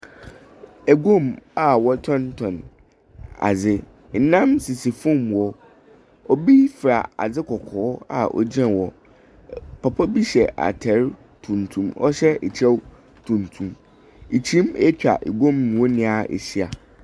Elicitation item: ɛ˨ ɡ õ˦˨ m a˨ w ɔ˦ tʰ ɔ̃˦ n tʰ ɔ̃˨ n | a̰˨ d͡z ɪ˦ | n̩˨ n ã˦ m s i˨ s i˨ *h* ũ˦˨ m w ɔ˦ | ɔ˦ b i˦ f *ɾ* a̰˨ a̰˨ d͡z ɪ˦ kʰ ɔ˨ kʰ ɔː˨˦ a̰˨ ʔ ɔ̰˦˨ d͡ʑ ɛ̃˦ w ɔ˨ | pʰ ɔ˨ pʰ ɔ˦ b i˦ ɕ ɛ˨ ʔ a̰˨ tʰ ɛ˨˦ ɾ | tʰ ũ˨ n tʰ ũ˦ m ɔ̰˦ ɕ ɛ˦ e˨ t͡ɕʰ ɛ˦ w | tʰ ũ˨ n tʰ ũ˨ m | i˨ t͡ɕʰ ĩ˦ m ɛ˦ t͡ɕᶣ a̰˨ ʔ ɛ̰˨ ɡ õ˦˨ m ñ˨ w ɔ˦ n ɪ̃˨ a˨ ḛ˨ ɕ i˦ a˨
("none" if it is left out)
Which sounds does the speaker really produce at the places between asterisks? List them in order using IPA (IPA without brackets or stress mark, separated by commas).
f, ɾ